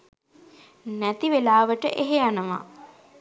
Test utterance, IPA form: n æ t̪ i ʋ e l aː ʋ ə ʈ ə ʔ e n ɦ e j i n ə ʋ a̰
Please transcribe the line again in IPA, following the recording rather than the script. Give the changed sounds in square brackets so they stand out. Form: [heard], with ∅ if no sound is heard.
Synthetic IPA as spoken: n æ t̪ i ʋ e l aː ʋ ə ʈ ə ʔ e [∅] ɦ e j [a] n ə ʋ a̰